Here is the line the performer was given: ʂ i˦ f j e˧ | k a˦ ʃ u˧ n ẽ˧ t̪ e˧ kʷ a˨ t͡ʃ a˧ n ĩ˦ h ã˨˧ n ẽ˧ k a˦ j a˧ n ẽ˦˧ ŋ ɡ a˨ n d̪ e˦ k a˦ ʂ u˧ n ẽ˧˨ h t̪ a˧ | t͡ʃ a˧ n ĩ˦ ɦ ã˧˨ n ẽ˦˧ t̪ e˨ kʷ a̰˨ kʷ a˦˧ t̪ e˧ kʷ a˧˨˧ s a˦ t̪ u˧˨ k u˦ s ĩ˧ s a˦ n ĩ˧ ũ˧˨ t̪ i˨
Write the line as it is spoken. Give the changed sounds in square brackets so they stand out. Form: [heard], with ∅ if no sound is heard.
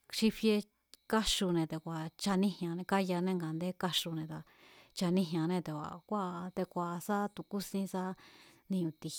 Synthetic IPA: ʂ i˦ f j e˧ | k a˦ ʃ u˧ n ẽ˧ t̪ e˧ kʷ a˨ t͡ʃ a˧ n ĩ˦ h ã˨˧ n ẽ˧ k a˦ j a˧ n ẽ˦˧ ŋ ɡ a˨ n d̪ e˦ k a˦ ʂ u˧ n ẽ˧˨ [∅] t̪ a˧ | t͡ʃ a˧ n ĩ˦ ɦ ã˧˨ n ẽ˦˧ t̪ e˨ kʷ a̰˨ kʷ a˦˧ t̪ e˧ kʷ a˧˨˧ s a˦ t̪ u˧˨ k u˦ s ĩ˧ s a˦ n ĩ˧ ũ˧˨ t̪ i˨